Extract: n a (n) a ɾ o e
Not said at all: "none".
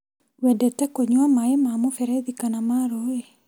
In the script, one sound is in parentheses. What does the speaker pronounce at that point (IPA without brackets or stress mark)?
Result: m